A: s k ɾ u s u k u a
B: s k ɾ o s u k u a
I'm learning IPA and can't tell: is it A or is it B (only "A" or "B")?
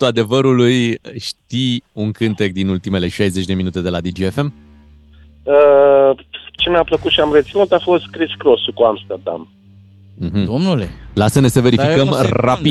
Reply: B